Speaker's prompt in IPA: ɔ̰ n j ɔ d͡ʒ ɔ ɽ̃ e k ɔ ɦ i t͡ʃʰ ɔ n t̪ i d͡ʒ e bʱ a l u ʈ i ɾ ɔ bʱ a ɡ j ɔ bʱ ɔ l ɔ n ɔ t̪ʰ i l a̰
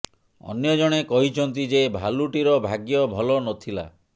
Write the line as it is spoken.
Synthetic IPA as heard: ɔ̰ n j ɔ d͡ʒ ɔ ɽ̃ e k ɔ ɦ i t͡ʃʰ ɔ n t̪ i d͡ʒ e bʱ a l u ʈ i ɾ ɔ bʱ a ɡ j ɔ bʱ ɔ l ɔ n ɔ t̪ʰ i l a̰